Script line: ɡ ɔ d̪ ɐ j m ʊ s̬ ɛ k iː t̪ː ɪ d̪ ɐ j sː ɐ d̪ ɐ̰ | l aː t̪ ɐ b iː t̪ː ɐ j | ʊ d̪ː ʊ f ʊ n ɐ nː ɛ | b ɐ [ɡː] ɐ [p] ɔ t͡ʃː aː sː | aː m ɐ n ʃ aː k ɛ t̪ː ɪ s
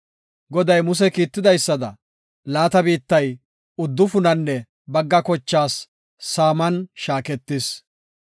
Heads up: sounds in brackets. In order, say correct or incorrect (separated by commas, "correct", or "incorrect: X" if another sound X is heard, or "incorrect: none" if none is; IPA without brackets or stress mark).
correct, incorrect: k